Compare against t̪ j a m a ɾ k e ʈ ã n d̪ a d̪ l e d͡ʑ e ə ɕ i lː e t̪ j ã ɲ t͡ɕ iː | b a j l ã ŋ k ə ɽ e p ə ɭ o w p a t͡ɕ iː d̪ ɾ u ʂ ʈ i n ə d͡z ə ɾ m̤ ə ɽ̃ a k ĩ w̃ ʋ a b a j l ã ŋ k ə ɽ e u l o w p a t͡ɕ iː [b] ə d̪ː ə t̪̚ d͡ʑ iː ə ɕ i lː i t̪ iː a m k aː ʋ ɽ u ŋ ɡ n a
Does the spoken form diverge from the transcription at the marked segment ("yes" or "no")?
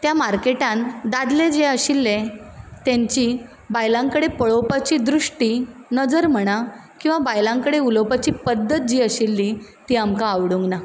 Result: yes